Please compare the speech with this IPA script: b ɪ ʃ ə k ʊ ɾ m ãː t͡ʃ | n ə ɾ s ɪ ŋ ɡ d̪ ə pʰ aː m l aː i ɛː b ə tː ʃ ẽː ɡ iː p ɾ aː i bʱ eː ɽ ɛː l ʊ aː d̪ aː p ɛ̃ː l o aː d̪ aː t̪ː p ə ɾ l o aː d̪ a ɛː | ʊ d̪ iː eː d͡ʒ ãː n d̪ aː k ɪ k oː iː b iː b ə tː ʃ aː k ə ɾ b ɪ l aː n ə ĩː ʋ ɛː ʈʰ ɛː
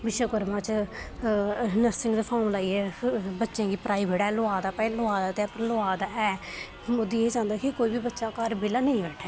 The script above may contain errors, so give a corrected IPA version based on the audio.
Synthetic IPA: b ɪ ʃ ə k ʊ ɾ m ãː t͡ʃ | n ə ɾ s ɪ ŋ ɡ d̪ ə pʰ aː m l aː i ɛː b ə tː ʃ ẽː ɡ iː p ɾ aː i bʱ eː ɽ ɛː l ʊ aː d̪ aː p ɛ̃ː l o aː d̪ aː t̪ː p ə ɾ l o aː d̪ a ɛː | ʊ d̪ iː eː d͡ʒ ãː n d̪ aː k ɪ k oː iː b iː b ə tː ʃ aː k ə ɾ b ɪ l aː n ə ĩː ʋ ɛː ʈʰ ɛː